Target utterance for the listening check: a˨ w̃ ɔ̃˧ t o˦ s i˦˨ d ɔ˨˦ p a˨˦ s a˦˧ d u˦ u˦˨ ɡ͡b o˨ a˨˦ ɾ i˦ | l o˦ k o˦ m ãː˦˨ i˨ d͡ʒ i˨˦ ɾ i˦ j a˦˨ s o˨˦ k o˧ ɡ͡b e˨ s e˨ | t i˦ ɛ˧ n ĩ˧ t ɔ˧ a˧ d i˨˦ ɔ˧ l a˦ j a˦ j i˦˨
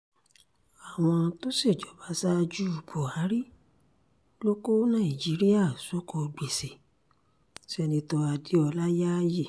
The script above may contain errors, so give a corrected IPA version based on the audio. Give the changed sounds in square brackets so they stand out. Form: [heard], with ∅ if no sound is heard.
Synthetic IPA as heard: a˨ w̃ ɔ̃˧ t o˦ s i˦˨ [d͡ʒ] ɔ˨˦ [b] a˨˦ s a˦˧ [d͡ʒ] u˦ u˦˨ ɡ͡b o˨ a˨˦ ɾ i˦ | l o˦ k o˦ [n] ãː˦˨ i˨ d͡ʒ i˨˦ ɾ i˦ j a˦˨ s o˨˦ k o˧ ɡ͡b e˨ s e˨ | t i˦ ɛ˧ n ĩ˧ t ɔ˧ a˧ d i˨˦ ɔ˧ l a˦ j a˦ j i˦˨